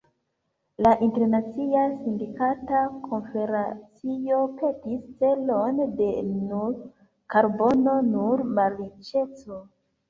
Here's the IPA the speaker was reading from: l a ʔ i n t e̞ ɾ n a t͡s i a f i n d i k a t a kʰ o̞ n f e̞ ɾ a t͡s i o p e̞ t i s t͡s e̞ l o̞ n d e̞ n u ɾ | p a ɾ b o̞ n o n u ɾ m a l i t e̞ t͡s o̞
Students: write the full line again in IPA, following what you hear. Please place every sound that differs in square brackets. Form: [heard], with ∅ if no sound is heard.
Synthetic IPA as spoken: l a ʔ i n t e̞ ɾ n a t͡s i a [s] i n d i k a t a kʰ o̞ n f e̞ ɾ a t͡s i o p e̞ t i s t͡s e̞ l o̞ n d e̞ n u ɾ | [k] a ɾ b o̞ n o n u ɾ m a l i [t͡ʃ] e̞ t͡s o̞